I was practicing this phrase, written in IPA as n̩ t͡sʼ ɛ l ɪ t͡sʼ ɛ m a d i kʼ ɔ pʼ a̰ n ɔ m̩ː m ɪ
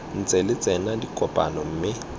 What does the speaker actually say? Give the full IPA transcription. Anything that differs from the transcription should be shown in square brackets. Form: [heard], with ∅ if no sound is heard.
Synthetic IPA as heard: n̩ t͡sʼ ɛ l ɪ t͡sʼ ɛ [n] a d i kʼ ɔ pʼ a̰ n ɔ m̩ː m ɪ